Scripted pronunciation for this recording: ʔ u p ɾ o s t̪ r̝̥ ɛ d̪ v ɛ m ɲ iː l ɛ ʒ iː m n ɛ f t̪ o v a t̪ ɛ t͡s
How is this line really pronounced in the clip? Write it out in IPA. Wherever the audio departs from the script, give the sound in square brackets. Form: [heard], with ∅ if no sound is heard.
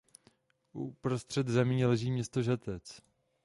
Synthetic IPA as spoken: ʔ u p ɾ o s t̪ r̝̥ ɛ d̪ [z] ɛ m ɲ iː l ɛ ʒ iː m [ɲ] ɛ [s] t̪ o [ʒ] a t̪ ɛ t͡s